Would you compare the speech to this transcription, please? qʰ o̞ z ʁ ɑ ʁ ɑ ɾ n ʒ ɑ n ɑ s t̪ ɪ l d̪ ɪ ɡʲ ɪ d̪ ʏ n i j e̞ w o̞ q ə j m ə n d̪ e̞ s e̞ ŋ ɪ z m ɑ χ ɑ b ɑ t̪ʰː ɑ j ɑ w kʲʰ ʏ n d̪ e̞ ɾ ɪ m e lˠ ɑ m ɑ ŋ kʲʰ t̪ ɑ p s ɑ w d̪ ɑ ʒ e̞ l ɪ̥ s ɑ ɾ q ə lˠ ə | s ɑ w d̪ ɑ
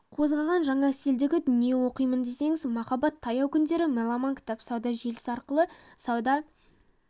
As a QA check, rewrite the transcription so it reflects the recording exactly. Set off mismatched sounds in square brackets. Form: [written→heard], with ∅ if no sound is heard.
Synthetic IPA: qʰ o̞ z ʁ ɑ ʁ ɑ [ɾ→∅] n ʒ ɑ [n→ɴ] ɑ s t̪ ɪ l d̪ ɪ ɡʲ ɪ d̪ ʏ n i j e̞ w o̞ q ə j m ə n d̪ e̞ s e̞ ŋ ɪ z m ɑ χ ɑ b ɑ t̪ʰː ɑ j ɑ w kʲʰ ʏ n d̪ e̞ ɾ ɪ m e lˠ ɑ m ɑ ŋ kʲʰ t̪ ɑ p s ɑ w d̪ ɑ ʒ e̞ l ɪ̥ s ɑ ɾ q ə lˠ ə | s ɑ w d̪ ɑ